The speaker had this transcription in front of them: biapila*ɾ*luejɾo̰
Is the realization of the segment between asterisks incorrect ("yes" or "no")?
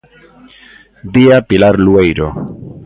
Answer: no